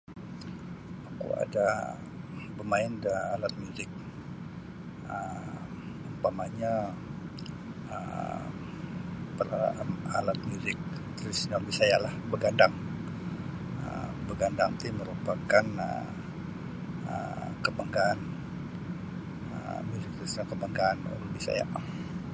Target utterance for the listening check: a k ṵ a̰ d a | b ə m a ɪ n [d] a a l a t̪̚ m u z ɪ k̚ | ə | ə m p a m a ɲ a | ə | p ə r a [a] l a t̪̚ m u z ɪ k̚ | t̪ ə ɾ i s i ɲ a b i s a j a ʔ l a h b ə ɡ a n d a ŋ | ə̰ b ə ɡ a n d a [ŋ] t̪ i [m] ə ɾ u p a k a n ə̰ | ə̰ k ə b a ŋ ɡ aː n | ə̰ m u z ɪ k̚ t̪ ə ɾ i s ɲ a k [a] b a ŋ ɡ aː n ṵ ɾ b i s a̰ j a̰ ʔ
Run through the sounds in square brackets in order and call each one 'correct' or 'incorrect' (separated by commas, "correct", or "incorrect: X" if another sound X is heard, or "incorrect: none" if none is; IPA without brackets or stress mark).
correct, correct, correct, correct, incorrect: ə